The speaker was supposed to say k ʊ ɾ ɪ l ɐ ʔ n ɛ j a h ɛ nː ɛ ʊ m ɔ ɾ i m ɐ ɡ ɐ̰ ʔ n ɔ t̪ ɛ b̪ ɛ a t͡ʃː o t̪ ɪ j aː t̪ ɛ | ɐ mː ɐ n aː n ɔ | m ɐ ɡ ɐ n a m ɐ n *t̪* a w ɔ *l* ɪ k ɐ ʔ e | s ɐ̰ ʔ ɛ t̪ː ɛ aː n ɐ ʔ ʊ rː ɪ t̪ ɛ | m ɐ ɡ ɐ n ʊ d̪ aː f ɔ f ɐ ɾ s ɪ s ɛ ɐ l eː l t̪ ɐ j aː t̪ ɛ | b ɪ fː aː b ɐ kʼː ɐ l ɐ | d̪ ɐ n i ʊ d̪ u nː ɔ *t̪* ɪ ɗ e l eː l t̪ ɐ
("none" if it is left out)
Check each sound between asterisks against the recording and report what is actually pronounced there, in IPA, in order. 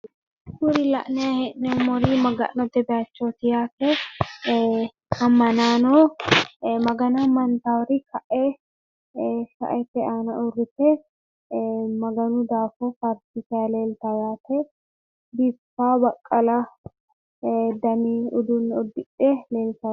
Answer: t̪, ɾ, d̪

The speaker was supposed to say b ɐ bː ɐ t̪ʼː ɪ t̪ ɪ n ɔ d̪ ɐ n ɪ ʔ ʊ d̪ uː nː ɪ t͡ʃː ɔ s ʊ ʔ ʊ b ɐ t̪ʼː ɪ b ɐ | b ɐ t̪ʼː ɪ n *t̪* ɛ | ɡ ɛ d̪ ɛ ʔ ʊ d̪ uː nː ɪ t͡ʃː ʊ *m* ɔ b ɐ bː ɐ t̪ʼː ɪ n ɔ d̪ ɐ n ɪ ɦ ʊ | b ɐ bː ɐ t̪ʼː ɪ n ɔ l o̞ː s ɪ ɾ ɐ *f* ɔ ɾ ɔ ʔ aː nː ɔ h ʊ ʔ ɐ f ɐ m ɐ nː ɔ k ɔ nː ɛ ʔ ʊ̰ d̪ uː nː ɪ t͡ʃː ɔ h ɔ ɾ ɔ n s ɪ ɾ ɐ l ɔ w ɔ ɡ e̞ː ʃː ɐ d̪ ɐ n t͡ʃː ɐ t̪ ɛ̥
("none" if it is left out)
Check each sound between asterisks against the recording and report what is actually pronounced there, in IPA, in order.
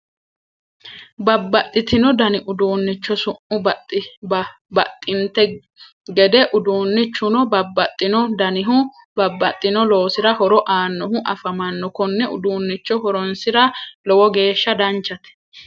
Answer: t̪, n, h

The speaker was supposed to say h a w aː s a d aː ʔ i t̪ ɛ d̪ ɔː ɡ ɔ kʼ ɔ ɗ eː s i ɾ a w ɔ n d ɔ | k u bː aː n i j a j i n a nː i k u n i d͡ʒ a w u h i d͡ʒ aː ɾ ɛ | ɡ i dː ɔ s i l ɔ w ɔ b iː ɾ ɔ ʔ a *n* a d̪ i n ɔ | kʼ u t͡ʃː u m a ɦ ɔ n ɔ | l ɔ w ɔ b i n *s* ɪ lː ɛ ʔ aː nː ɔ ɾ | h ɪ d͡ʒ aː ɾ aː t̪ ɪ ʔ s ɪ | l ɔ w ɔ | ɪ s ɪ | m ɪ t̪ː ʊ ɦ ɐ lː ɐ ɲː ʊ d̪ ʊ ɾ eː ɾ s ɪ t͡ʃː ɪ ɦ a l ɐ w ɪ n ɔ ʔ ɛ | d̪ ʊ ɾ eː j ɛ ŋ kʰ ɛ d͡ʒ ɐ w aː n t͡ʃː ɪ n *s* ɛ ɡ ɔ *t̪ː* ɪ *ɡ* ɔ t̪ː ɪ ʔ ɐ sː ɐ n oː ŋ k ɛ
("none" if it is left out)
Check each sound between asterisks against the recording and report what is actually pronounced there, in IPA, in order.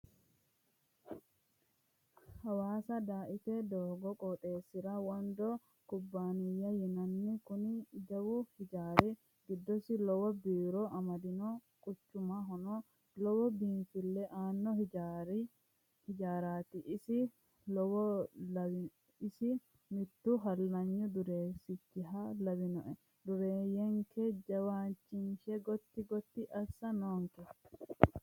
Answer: m, f, ʃ, t̪ː, ɡ

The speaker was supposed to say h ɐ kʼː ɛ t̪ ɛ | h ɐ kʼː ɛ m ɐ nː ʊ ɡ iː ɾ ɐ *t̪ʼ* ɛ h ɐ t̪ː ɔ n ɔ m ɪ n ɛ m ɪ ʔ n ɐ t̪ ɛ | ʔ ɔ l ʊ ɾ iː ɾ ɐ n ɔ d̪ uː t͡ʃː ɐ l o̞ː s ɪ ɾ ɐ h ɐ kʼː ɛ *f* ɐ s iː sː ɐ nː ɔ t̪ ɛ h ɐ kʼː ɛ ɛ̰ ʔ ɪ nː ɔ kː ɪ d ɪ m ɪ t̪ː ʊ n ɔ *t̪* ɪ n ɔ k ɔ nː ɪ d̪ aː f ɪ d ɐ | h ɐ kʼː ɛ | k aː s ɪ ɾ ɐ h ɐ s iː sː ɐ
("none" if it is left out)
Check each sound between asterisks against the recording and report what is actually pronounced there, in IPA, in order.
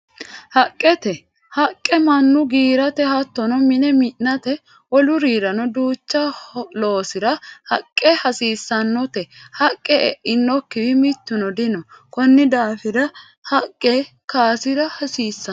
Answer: t̪, h, d̪

